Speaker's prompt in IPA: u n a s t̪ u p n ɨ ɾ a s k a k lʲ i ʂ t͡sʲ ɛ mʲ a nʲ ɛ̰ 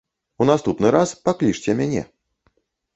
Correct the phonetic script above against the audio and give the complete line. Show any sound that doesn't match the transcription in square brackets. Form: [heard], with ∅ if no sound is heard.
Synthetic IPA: u n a s t̪ u p n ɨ ɾ a s [p] a k lʲ i ʂ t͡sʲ ɛ mʲ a nʲ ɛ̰

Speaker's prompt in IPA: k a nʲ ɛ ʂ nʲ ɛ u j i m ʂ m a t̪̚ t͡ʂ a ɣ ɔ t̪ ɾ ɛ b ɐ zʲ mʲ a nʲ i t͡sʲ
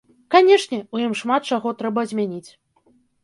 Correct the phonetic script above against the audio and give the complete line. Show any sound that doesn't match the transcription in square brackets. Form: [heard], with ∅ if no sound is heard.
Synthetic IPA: k a nʲ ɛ ʂ nʲ ɛ u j i m ʂ m a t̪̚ t͡ʂ a ɣ ɔ t̪ ɾ ɛ b ɐ zʲ mʲ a nʲ i t͡sʲ

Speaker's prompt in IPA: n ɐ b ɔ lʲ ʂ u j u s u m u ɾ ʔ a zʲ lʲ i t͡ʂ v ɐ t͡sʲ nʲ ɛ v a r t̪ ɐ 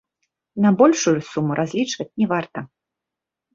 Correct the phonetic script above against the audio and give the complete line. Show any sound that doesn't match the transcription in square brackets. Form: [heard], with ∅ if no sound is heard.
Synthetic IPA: n ɐ b ɔ lʲ ʂ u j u s u m u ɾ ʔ a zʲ lʲ i t͡ʂ v ɐ t͡sʲ nʲ ɛ v a r t̪ ɐ

